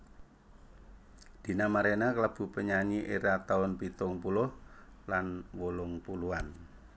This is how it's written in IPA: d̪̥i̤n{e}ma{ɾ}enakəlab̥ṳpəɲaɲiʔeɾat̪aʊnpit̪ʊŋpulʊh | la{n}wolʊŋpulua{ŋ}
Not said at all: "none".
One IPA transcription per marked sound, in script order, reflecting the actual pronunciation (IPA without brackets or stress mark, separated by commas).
a, ɾ, n, n